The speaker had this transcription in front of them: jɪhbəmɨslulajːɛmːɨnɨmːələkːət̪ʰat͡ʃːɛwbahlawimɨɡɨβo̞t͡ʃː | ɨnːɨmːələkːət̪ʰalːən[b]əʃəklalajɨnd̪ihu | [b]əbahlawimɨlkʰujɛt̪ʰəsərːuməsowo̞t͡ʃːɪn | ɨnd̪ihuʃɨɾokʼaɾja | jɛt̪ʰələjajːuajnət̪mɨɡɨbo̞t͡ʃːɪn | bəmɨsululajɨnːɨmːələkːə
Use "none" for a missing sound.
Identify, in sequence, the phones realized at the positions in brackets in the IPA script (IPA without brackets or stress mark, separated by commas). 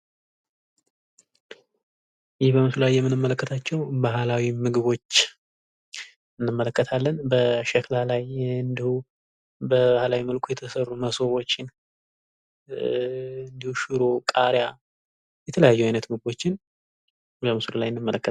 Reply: b, b